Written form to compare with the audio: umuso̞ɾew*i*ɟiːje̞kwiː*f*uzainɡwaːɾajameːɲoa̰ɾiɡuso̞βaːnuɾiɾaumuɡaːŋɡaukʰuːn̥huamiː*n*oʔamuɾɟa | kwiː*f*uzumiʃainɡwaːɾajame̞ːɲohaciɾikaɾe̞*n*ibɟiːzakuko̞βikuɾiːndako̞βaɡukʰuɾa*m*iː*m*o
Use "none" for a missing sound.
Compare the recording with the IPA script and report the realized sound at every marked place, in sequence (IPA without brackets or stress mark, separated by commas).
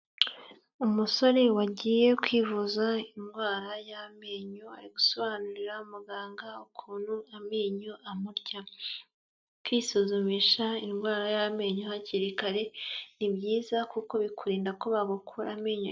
a, v, ɲ, s, n, m, ɲ